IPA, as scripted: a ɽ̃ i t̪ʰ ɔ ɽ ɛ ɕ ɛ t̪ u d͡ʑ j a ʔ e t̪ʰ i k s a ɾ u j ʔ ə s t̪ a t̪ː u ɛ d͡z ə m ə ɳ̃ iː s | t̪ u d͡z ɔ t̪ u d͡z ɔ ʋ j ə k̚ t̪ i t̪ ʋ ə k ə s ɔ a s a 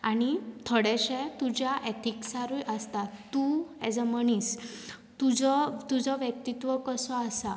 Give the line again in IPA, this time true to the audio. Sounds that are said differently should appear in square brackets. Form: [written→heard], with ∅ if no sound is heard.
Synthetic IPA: a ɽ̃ i t̪ʰ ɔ ɽ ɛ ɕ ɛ t̪ u d͡ʑ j a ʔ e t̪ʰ i k s a ɾ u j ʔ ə s t̪ a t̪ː u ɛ d͡z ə m ə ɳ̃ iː s | t̪ u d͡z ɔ t̪ u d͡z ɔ ʋ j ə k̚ t̪ i t̪ ʋ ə k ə s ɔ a s a